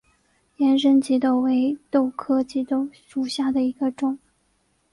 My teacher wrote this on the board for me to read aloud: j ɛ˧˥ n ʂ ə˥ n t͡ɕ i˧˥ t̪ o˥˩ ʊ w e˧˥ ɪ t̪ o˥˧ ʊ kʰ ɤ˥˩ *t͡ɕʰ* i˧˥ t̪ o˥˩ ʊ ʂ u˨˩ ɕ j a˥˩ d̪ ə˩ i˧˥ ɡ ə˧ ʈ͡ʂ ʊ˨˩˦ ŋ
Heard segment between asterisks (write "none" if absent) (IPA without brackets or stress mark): t͡ɕ